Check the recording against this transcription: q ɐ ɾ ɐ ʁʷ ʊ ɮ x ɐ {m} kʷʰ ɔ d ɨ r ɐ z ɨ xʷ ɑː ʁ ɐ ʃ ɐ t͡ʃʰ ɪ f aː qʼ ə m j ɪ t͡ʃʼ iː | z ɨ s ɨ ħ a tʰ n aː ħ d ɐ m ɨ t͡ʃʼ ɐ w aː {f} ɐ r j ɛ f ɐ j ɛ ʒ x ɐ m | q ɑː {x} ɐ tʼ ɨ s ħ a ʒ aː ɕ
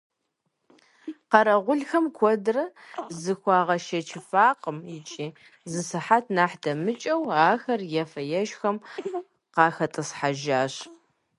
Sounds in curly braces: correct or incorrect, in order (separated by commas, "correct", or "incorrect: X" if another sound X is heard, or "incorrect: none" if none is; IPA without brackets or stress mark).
correct, incorrect: x, correct